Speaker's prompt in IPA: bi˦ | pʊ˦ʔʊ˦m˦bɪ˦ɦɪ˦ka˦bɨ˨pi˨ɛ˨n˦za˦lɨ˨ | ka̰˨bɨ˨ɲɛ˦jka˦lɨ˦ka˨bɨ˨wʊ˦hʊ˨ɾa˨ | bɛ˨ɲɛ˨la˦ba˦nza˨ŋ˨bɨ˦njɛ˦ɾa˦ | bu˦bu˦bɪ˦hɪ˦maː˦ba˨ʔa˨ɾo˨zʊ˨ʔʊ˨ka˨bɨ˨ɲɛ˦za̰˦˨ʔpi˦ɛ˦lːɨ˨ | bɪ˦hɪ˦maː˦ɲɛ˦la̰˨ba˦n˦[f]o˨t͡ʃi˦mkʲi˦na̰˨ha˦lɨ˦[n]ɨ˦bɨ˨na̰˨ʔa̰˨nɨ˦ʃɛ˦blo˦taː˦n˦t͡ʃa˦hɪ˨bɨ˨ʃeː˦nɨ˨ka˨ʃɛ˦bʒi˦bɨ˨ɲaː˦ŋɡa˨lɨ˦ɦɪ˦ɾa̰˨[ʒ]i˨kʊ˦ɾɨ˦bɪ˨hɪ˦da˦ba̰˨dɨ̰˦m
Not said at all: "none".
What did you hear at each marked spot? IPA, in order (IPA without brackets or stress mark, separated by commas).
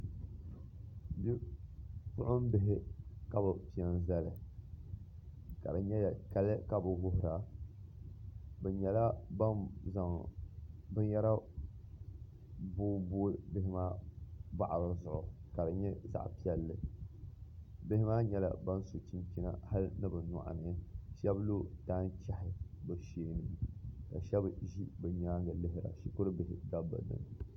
s, n, ʃ